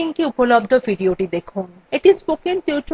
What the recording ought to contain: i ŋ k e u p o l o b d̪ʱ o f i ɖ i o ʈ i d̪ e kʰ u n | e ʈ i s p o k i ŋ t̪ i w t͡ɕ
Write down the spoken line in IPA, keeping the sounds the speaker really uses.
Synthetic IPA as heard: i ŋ k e u p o l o b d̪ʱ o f i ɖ i o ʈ i d̪ e kʰ u n | e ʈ i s p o k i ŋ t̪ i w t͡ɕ